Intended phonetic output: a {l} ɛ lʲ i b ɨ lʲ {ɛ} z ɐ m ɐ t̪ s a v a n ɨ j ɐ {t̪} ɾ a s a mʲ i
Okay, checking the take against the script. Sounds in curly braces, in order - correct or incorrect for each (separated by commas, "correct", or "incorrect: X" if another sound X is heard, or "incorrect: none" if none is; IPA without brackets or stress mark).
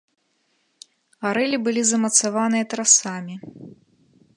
incorrect: ɾ, incorrect: i, correct